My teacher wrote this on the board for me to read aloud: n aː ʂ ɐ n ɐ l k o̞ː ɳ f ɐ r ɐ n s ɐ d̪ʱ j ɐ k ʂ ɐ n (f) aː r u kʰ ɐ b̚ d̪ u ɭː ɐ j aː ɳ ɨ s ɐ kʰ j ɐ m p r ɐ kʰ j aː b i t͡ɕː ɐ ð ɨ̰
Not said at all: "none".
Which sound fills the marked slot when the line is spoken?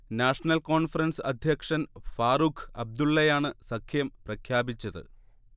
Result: f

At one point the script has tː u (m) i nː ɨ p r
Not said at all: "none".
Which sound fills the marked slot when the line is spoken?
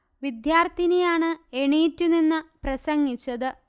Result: n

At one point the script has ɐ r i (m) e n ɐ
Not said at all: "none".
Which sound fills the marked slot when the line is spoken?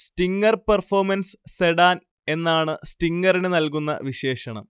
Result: n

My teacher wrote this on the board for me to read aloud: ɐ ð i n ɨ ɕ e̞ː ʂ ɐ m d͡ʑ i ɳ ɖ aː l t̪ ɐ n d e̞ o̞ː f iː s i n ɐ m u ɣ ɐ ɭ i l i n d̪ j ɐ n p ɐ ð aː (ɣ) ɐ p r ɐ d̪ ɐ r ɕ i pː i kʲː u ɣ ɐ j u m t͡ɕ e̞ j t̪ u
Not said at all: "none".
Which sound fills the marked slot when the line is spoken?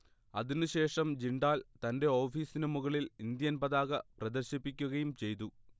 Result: ɣ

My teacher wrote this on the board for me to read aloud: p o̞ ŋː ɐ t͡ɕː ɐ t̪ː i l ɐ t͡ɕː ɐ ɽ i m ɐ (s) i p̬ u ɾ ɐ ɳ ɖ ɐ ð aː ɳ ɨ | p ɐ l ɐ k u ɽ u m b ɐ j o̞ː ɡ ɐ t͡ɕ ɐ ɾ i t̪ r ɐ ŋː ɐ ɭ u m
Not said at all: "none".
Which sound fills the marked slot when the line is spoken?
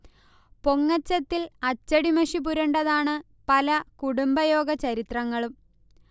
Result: ʂ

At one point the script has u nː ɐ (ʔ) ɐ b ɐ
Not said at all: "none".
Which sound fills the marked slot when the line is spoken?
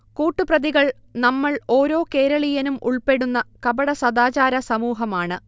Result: k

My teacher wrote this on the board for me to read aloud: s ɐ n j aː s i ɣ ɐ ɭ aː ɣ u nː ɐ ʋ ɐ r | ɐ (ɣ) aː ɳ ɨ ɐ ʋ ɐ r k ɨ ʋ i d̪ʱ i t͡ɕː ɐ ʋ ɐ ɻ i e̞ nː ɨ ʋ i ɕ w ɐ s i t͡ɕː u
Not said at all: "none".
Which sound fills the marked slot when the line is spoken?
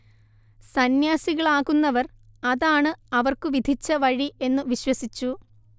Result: ð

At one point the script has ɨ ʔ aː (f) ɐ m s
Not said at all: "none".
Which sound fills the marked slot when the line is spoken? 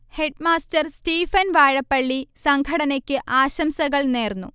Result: ɕ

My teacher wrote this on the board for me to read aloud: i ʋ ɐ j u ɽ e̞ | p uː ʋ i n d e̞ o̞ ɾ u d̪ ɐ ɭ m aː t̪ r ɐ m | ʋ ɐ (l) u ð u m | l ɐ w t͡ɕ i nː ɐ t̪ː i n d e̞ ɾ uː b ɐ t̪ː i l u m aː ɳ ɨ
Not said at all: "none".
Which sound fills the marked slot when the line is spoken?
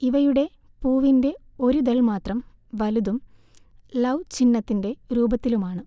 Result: l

